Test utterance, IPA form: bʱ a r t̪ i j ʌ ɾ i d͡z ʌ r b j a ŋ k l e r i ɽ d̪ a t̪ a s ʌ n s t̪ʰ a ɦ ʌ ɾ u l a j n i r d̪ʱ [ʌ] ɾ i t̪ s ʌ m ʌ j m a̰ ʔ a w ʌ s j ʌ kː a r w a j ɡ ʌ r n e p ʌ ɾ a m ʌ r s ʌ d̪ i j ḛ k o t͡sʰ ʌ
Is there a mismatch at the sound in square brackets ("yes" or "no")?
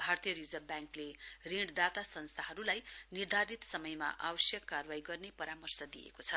yes